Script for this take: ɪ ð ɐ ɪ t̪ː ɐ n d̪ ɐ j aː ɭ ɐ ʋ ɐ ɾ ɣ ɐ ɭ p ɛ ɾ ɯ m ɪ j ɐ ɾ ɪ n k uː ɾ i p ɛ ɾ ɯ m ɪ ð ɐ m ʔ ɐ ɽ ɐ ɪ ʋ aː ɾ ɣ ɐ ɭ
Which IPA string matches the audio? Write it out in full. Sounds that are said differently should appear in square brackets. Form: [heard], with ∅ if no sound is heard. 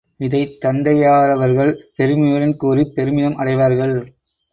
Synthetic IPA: ɪ ð ɐ ɪ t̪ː ɐ n d̪ ɐ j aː [ɾ] ɐ ʋ ɐ ɾ ɣ ɐ ɭ p ɛ ɾ ɯ m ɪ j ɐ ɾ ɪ n k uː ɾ i p ɛ ɾ ɯ m ɪ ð ɐ m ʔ ɐ ɽ ɐ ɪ ʋ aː ɾ ɣ ɐ ɭ